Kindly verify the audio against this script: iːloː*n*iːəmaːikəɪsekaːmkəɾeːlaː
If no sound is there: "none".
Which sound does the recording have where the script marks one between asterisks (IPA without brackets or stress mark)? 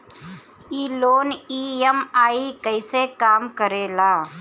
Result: n